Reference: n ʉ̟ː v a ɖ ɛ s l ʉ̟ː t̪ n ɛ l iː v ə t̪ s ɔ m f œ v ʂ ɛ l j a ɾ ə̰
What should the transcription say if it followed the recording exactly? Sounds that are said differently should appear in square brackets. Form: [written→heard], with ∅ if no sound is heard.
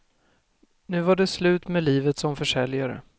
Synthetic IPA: n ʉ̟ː v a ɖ ɛ s l ʉ̟ː t̪ [n→m] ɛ l iː v ə t̪ s ɔ m f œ [v→∅] ʂ ɛ l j a ɾ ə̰